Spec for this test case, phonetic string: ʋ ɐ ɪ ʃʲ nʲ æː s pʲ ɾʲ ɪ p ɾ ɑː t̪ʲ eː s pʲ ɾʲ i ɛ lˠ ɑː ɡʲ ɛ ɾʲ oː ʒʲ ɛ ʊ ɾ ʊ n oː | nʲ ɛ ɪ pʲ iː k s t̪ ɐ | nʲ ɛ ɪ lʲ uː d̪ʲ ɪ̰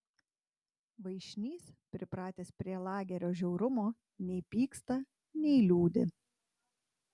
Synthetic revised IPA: ʋ ɐ ɪ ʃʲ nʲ iː s pʲ ɾʲ ɪ p ɾ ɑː t̪ʲ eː s pʲ ɾʲ i ɛ lˠ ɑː ɡʲ ɛ ɾʲ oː ʒʲ ɛ ʊ ɾ ʊ m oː | nʲ ɛ ɪ pʲ iː k s t̪ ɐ | nʲ ɛ ɪ lʲ uː d̪ʲ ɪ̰